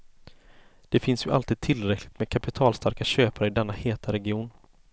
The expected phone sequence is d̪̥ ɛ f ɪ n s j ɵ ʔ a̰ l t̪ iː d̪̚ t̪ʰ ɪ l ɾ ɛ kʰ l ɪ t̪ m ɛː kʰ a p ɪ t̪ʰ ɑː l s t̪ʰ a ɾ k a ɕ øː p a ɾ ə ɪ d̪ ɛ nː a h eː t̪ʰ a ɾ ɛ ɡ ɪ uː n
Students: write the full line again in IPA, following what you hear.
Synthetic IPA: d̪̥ ɛ f ɪ n s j ɵ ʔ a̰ l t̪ iː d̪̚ t̪ʰ ɪ l ɾ ɛ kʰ l ɪ t̪ m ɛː kʰ a p ɪ t̪ʰ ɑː l s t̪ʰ a ɾ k a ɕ øː p a ɾ ə ɪ d̪ ɛ nː a h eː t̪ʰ a ɾ ɛ ɡ ɪ uː n